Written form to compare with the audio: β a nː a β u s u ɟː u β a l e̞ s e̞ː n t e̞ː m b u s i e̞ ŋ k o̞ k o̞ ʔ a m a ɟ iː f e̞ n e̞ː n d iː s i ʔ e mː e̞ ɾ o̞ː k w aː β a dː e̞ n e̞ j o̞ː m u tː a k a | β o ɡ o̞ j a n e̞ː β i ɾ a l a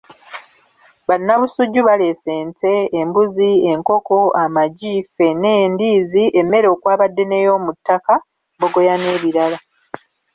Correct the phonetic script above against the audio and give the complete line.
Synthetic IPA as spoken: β a nː a β u s u ɟː u β a l e̞ s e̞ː n t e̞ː m b u z i e̞ ŋ k o̞ k o̞ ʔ a m a ɟ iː f e̞ n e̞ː n d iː z i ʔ e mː e̞ ɾ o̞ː k w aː β a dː e̞ n e̞ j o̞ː m u tː a k a | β o ɡ o̞ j a n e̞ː β i ɾ a l a